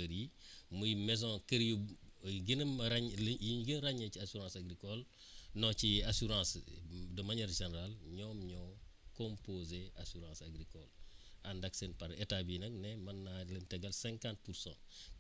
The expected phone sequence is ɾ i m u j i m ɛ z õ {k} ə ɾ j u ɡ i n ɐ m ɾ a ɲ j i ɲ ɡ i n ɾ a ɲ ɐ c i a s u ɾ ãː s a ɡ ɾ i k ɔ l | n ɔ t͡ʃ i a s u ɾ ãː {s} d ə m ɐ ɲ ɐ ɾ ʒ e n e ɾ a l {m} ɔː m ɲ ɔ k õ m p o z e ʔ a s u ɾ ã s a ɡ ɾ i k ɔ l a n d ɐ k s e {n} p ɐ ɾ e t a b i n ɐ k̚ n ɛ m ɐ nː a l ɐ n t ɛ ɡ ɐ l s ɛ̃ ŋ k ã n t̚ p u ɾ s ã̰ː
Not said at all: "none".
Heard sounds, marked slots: k, s, ɲ, n

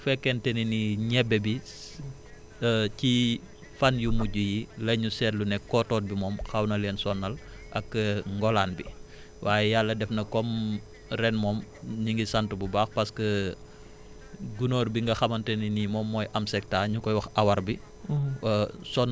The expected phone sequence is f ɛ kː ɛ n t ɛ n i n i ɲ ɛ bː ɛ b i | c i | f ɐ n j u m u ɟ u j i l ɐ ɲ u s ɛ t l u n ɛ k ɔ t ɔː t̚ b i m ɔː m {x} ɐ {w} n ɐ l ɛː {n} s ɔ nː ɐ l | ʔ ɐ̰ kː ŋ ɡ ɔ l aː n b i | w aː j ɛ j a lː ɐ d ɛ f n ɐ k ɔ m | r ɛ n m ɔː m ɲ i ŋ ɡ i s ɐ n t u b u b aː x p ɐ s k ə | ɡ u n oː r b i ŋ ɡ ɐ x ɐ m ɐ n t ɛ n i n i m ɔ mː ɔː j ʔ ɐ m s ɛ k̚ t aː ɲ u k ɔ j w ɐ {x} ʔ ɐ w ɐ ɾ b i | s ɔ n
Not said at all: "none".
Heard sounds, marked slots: x, w, n, x

